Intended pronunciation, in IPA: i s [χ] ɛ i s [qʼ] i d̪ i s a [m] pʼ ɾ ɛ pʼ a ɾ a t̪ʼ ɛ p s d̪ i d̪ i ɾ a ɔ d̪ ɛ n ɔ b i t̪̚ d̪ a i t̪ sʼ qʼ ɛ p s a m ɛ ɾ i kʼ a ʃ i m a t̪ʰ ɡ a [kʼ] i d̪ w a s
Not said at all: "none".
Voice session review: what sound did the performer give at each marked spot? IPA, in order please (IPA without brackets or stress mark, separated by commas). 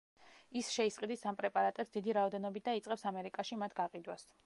ʃ, qʼ, m, qʼ